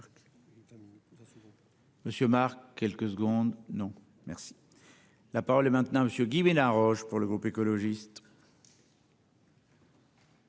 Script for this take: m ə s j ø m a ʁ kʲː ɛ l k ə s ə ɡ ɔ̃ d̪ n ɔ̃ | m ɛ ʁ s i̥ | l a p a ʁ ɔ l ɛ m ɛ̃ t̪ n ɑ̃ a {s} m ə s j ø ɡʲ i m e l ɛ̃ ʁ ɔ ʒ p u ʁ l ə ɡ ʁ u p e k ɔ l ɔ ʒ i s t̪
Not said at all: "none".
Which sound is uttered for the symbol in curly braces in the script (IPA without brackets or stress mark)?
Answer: none